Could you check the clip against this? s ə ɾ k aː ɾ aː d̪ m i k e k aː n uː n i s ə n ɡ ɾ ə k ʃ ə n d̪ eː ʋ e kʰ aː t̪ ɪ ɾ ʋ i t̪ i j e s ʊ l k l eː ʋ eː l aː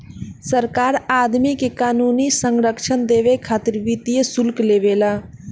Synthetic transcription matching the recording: s ə ɾ k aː ɾ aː d̪ m i k e k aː n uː n i s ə ŋ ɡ ɾ ə k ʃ ə n d̪ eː ʋ e kʰ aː t̪ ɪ ɾ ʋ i t̪ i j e s ʊ l k l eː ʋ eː l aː